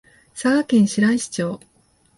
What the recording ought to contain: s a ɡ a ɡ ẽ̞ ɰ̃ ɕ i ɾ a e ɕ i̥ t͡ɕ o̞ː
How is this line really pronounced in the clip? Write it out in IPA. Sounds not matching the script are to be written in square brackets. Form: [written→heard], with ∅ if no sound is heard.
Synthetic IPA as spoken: s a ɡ a [ɡ→k] ẽ̞ ɰ̃ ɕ i ɾ a [e→i] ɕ i̥ t͡ɕ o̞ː